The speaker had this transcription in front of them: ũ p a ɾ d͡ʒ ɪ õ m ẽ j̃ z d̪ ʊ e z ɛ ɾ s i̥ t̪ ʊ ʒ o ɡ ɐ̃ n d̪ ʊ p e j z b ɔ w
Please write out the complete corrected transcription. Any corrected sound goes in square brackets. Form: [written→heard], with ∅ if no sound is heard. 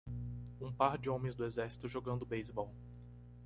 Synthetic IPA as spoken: ũ p a ɾ d͡ʒ ɪ õ m ẽ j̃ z d̪ ʊ e z ɛ ɾ s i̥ t̪ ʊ ʒ o ɡ ɐ̃ n d̪ ʊ [p→b] e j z b ɔ w